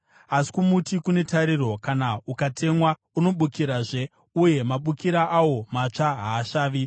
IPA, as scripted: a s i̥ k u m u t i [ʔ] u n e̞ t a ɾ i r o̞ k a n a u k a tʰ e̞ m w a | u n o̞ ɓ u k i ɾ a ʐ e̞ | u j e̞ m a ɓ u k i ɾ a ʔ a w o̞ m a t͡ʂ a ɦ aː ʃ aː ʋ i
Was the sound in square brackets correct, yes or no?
no